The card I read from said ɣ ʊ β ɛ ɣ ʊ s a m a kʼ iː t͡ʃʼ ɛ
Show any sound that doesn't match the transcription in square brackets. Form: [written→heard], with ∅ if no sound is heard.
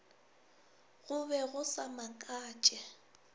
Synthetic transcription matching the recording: ɣ ʊ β ɛ ɣ ʊ s a m a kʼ [iː→aː] t͡ʃʼ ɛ